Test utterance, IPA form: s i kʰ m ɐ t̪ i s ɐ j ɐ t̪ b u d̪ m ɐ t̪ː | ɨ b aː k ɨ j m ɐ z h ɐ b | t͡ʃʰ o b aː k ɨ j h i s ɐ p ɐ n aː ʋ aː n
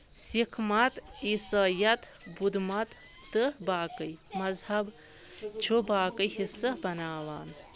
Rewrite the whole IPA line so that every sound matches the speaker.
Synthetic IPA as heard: s i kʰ m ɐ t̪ i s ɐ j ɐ t̪ b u d̪ m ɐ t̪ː | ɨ b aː k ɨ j m ɐ z h ɐ b | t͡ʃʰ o b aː k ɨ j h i s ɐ b ɐ n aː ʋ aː n